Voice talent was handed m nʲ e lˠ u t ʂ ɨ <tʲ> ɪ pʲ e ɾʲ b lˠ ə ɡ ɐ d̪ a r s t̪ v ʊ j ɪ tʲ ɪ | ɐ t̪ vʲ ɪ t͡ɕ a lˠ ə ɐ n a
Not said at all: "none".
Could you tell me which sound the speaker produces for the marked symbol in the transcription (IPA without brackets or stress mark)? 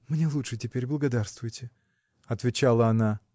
tʲ